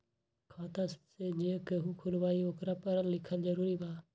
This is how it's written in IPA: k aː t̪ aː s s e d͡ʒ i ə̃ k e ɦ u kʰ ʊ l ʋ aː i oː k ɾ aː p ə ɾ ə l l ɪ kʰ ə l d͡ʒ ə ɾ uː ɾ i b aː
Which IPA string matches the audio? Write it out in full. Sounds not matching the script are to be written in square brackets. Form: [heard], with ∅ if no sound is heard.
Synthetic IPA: [kʰ] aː t̪ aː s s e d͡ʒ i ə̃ k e ɦ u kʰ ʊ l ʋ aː i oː k ɾ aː p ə ɾ ə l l ɪ kʰ ə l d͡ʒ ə ɾ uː ɾ i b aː